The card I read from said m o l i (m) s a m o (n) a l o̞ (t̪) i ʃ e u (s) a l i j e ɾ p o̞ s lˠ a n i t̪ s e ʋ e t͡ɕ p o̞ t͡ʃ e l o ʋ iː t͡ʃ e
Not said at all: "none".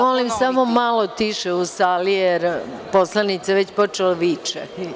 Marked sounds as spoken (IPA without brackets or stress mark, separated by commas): m, m, t̪, s